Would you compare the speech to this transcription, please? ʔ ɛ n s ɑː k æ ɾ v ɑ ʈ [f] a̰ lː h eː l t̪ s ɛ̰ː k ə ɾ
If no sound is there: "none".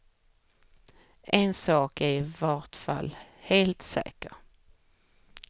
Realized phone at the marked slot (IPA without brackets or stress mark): f